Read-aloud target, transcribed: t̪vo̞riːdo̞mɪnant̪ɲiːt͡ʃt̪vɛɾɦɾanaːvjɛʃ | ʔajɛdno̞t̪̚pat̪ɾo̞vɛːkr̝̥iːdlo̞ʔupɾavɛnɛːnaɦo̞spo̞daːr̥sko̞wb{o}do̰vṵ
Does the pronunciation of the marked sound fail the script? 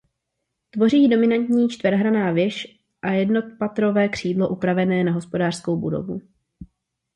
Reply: yes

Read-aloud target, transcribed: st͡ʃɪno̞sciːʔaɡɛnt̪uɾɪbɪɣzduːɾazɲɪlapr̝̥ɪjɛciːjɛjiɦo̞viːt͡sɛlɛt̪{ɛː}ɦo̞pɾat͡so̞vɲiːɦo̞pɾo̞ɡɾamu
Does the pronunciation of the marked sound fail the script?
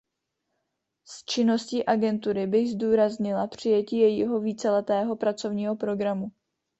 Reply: no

